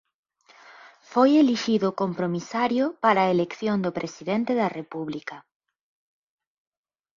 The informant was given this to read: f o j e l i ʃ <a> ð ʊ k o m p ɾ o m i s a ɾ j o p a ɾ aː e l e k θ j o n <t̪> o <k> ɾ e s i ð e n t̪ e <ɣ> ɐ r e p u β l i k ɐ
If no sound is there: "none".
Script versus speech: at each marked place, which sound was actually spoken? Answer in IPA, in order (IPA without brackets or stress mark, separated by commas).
i, d̪, p, ð